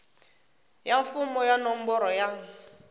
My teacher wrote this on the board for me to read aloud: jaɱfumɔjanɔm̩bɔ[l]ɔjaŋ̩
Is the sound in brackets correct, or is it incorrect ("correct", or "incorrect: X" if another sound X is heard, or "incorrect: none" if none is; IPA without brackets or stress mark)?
incorrect: ɾ